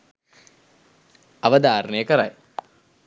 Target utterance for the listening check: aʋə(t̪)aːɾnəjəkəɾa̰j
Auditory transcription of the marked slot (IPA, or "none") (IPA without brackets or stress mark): d̪